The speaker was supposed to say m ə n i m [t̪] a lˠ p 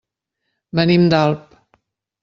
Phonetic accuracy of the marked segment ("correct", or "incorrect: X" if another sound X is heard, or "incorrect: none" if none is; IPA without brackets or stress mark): incorrect: d̪